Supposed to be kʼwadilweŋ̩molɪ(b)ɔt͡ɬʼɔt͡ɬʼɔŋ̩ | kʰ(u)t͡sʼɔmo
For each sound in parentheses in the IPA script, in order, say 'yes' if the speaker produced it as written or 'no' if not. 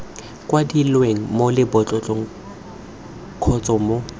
yes, no

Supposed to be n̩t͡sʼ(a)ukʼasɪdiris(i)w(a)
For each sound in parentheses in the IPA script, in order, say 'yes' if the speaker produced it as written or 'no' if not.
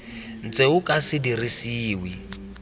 no, no, no

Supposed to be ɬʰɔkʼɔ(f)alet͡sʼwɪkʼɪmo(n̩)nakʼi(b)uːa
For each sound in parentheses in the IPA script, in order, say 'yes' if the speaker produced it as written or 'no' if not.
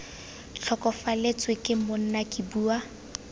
yes, yes, yes

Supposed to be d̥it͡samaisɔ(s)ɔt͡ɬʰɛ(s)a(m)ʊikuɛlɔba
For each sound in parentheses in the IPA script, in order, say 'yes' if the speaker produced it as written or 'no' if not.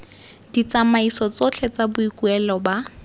no, no, no

